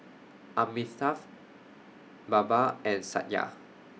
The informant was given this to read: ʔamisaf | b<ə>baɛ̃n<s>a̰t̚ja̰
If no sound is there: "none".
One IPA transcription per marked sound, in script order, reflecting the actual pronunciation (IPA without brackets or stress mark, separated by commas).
a, s